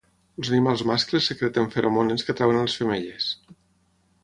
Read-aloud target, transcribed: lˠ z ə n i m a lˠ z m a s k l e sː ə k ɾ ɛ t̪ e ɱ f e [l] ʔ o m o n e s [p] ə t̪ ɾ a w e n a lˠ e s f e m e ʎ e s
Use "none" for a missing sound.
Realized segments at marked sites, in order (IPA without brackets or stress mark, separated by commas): ɾ, k